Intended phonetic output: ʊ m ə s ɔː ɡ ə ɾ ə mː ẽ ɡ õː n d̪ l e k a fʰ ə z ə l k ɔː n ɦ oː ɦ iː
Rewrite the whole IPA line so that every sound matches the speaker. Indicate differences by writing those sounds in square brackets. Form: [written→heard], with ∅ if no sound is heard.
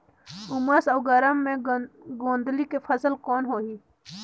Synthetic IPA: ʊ m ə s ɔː ɡ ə ɾ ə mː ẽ ɡ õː n d̪ l [e→i] k [a→e] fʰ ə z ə l k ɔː n ɦ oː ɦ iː